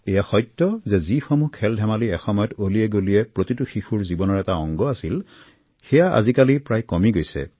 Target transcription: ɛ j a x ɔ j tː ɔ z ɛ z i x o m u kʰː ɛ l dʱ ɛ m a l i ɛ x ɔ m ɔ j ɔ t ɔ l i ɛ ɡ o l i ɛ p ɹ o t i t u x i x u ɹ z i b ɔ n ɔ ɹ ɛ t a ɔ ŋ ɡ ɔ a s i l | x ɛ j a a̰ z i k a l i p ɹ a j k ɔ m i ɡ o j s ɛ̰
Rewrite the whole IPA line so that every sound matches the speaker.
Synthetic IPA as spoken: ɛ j a x ɔ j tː ɔ z ɛ z i x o m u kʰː ɛ l dʱ ɛ m a l i ɛ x ɔ m ɔ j ɔ t o l i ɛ ɡ o l i ɛ p ɹ o t i t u x i x u ɹ z i b ɔ n ɔ ɹ ɛ t a ɔ ŋ ɡ ɔ a s i l | x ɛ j a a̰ z i k a l i p ɹ a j k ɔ m i ɡ o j s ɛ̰